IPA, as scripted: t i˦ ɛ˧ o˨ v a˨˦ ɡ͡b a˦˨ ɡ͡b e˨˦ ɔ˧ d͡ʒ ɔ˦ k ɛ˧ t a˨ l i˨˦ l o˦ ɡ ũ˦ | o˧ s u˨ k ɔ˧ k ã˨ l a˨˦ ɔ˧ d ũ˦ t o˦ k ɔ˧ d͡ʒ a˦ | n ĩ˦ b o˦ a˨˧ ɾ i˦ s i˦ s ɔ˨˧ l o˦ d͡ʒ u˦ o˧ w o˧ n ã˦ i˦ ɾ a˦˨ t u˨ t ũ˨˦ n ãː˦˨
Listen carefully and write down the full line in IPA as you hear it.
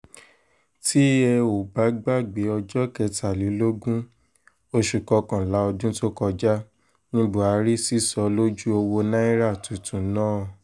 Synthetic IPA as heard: t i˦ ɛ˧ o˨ b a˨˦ ɡ͡b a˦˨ ɡ͡b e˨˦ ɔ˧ d͡ʒ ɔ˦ k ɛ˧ t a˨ l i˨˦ l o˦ ɡ ũ˦ | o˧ ʃ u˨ k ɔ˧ k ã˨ l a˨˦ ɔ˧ d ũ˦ t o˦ k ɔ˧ d͡ʒ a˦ | n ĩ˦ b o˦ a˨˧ ɾ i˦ s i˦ s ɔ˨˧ l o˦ d͡ʒ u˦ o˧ w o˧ n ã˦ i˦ ɾ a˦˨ t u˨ t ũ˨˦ n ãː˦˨